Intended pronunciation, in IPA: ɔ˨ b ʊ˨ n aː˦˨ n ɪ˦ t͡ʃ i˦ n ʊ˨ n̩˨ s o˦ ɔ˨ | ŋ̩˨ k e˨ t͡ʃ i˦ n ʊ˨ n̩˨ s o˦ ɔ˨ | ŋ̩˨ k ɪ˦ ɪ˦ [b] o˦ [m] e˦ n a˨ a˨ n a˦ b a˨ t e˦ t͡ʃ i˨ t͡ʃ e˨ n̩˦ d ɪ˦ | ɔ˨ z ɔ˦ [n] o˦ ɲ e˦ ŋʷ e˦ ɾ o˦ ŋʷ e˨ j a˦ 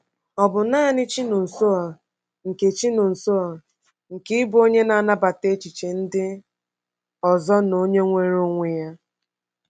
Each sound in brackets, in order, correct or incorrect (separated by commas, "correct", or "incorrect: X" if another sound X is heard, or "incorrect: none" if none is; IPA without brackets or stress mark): correct, incorrect: ɲ, correct